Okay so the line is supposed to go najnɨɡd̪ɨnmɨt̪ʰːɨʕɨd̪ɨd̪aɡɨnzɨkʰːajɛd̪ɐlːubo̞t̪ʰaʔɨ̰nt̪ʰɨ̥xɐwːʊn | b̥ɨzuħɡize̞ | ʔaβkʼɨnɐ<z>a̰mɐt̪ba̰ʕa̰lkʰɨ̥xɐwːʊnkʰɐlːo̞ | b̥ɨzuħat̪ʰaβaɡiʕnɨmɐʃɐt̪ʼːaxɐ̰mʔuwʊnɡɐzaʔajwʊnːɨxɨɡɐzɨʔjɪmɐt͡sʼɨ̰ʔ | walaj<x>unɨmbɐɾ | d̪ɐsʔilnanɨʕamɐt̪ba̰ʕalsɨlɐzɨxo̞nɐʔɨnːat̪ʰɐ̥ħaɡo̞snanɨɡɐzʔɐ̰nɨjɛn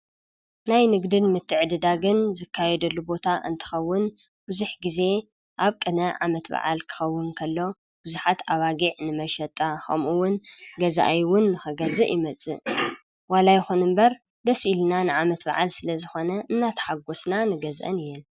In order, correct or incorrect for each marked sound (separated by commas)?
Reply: incorrect, correct